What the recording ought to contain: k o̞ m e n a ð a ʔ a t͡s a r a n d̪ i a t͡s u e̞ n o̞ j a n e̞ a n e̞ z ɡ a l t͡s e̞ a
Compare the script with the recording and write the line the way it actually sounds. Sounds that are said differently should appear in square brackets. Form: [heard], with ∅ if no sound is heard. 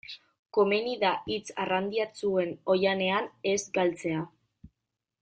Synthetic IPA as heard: k o̞ m e n [i] ð a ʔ [i] t͡s a r a n d̪ i a t͡s u e̞ n o̞ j a n e̞ a n e̞ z ɡ a l t͡s e̞ a